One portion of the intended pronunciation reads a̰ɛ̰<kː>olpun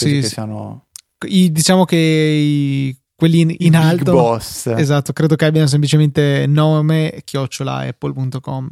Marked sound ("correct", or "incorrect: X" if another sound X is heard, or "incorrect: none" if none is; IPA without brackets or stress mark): incorrect: pː